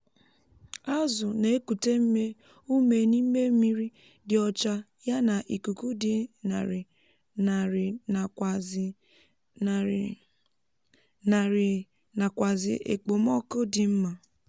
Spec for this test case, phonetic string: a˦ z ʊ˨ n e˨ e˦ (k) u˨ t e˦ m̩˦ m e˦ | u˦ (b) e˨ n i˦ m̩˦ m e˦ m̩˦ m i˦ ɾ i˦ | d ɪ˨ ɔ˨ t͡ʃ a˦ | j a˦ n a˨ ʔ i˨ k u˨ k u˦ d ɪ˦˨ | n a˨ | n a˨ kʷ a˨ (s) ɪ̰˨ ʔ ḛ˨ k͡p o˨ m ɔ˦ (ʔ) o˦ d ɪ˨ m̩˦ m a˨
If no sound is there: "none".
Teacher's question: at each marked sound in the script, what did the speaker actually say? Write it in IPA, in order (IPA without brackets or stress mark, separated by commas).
k, m, z, k